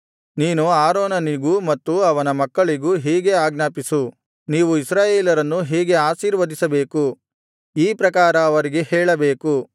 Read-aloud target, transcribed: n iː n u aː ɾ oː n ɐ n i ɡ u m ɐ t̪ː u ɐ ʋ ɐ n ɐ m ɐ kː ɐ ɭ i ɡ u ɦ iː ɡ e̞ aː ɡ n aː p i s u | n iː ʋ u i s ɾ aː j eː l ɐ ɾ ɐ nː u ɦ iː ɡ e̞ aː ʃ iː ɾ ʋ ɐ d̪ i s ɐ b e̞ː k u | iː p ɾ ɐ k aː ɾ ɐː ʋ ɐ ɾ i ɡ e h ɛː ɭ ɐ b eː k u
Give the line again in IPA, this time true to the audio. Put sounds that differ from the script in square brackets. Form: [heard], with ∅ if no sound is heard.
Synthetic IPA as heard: n iː n u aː ɾ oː n ɐ n i ɡ u m ɐ t̪ː u ɐ ʋ ɐ n ɐ m ɐ kː ɐ ɭ i ɡ u ɦ iː ɡ e̞ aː ɡ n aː p i s u | n iː ʋ u i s ɾ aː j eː l ɐ ɾ ɐ nː u ɦ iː ɡ e̞ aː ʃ iː ɾ ʋ ɐ d̪ i s ɐ b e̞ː k u | iː p ɾ ɐ k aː ɾ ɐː ʋ ɐ ɾ i ɡ e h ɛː ɭ ɐ b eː k u